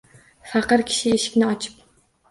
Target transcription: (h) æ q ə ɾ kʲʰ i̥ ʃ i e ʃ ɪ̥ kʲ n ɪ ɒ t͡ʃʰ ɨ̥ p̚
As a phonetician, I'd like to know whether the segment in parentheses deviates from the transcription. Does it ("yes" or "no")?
yes